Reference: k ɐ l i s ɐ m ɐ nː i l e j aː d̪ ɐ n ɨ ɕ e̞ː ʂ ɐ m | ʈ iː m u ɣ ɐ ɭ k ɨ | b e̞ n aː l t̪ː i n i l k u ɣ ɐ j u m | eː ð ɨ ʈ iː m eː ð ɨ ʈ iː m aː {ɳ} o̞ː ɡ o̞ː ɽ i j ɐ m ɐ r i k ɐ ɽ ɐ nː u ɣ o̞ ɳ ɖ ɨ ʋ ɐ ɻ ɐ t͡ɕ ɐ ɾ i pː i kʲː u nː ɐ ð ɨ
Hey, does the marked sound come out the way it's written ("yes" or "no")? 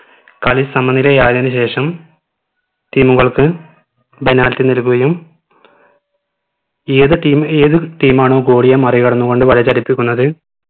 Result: yes